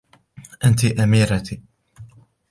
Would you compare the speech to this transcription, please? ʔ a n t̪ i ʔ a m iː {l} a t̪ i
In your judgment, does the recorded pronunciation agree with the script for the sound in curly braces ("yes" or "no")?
no